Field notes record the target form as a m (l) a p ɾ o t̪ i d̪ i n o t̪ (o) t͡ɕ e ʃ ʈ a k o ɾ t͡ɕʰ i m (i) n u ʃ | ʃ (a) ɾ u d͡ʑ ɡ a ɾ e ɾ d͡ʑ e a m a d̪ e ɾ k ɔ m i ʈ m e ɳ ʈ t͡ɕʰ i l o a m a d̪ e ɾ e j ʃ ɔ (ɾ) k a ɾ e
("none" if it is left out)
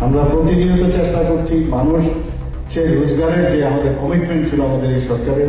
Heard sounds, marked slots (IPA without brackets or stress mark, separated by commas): ɾ, o, a, e, ɾ